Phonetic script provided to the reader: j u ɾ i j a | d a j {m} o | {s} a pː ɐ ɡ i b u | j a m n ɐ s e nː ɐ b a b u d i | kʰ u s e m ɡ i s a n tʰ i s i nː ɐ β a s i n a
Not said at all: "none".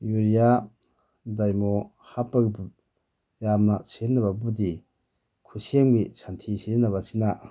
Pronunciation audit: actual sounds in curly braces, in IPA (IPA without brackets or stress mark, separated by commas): m, h